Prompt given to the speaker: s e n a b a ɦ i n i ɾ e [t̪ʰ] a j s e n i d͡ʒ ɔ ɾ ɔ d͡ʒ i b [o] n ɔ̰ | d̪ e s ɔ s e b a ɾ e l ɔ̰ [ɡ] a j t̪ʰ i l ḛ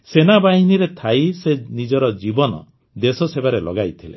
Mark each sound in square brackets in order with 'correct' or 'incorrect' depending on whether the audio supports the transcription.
correct, incorrect: ɔ, correct

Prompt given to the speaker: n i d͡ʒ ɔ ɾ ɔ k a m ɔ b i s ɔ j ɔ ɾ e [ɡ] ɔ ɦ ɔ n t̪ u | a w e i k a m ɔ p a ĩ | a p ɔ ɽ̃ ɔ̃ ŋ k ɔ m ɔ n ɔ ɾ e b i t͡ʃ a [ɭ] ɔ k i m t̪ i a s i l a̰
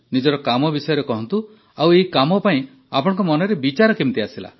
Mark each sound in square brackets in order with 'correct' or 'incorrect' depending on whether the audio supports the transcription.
incorrect: k, incorrect: ɾ

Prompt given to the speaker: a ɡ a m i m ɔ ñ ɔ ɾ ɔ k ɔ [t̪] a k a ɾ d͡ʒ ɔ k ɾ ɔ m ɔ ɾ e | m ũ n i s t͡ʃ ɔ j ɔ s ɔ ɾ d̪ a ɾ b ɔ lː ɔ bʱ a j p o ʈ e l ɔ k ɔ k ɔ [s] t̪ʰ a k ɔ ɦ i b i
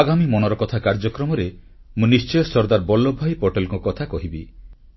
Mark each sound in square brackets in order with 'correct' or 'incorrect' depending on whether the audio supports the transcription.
incorrect: t̪ʰ, incorrect: none

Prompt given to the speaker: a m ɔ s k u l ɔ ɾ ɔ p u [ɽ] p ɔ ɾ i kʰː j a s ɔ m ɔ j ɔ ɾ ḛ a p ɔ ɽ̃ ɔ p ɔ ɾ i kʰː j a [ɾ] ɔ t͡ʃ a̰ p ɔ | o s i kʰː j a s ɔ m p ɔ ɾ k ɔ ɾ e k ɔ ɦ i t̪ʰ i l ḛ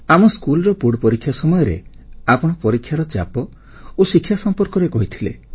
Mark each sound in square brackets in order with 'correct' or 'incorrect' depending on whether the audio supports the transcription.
correct, correct

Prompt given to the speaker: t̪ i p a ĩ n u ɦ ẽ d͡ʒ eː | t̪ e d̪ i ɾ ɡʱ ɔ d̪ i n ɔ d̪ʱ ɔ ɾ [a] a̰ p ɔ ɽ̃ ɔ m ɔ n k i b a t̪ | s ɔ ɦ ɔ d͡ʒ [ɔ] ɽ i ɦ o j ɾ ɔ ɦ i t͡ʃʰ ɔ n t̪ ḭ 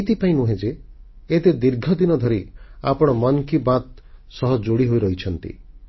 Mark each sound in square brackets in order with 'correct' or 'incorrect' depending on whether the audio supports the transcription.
incorrect: i, incorrect: o

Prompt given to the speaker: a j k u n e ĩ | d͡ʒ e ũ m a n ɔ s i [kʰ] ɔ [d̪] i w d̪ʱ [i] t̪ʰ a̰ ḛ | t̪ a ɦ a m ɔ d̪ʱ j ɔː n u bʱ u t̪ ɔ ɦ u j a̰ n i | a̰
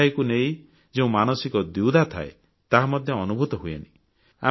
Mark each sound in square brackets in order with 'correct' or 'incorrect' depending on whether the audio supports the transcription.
incorrect: k, correct, incorrect: a

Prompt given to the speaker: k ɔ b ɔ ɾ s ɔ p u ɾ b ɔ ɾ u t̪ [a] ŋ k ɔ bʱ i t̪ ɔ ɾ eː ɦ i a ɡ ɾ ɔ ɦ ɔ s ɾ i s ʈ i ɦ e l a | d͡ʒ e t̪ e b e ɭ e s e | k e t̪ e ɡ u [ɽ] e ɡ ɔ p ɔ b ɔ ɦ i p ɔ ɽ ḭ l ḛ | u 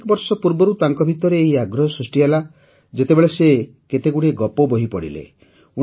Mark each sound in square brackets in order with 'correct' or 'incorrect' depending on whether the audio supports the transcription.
correct, correct

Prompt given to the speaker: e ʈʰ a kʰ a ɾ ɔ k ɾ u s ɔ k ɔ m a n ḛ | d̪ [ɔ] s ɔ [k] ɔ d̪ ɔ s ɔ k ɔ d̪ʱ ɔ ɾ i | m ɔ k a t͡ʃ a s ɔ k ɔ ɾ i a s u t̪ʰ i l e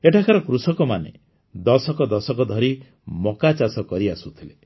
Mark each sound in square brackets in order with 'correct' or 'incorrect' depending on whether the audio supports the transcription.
correct, correct

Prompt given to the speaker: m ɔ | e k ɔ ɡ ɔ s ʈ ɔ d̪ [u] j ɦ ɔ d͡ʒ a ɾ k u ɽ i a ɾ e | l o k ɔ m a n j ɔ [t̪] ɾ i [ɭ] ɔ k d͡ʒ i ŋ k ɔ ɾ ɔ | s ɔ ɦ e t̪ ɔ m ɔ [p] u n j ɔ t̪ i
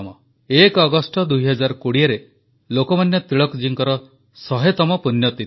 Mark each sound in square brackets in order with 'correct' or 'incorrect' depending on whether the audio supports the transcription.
correct, correct, correct, correct

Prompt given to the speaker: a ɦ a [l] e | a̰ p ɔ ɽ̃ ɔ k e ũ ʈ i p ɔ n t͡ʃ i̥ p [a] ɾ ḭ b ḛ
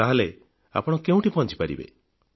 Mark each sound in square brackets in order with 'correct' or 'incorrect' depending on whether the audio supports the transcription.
correct, correct

